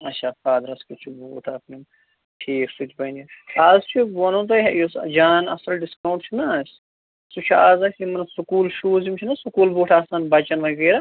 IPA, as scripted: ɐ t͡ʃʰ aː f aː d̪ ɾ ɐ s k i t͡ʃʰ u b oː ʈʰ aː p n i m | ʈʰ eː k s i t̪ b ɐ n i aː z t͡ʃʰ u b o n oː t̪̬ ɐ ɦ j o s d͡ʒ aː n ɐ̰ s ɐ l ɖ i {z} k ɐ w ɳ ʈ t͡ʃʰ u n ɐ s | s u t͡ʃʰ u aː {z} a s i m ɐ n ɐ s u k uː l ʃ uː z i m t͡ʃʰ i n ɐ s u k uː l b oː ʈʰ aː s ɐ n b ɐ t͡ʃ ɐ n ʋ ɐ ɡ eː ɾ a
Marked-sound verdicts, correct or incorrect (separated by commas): incorrect, correct